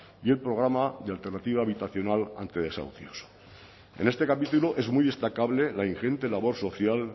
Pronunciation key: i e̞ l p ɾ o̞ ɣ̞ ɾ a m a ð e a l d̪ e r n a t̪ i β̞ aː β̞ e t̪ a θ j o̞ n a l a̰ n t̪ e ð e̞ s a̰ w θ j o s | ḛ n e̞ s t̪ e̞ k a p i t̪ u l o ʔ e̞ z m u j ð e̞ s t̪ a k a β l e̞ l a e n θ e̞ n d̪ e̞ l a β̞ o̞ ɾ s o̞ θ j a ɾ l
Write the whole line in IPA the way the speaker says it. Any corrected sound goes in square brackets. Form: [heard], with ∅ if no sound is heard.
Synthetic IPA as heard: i e̞ l p ɾ o̞ ɣ̞ ɾ a m a ð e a l [t̪] e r n a t̪ i β̞ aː β̞ [i] t̪ a θ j o̞ n a l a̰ n t̪ e ð e̞ s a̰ w θ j o s | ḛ n e̞ s t̪ e̞ k a p i t̪ u l o ʔ e̞ z m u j ð e̞ s t̪ a k a β l e̞ l a [i] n [x] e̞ n [t̪] e̞ l a β̞ o̞ ɾ s o̞ θ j a [∅] l